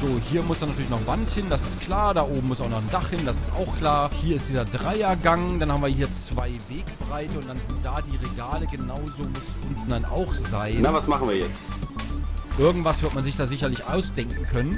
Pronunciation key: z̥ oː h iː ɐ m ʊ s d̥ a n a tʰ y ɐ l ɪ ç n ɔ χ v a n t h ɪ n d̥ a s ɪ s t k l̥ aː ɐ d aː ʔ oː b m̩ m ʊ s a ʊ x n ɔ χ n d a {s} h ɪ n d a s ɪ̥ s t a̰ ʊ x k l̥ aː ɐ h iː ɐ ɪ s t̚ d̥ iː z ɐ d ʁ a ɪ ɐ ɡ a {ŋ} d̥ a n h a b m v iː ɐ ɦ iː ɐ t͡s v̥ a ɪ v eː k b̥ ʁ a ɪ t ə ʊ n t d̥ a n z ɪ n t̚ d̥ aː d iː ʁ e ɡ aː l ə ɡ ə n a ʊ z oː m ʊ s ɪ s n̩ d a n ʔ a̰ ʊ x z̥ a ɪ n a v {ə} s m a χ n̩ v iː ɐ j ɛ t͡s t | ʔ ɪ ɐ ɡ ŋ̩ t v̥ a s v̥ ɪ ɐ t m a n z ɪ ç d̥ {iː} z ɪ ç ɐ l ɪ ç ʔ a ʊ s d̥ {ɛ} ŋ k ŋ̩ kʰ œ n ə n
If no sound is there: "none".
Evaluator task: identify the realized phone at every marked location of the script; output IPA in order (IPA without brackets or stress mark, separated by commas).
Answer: χ, ŋ, a, aː, ɛ